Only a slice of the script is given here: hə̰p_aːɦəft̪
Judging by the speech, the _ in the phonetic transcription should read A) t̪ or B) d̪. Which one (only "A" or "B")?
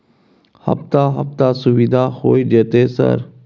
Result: A